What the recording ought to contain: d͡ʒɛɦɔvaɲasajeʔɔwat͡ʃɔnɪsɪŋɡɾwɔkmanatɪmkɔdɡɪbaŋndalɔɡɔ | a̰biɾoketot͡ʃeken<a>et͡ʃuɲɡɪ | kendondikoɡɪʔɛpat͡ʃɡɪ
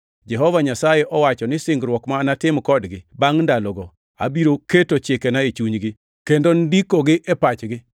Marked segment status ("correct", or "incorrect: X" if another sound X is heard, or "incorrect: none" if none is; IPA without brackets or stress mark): correct